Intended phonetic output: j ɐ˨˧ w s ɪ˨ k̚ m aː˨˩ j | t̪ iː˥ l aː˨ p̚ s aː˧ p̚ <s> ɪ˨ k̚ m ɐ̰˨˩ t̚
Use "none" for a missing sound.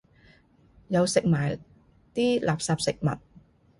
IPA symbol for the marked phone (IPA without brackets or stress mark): s